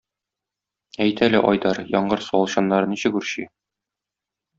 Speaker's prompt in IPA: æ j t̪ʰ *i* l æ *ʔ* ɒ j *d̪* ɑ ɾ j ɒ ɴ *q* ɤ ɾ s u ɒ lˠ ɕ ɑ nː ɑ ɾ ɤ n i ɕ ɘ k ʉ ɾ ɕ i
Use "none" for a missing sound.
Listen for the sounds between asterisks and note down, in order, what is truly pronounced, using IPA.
æ, ʔ, d̪, ɢ

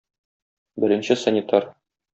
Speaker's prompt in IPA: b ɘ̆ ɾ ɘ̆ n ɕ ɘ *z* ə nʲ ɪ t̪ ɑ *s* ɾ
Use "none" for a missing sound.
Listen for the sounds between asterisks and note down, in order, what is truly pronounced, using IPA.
s, none

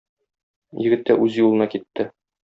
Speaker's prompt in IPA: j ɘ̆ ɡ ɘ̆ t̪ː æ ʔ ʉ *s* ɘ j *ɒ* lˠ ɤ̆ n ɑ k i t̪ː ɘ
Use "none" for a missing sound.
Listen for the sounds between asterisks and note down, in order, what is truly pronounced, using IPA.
z, u

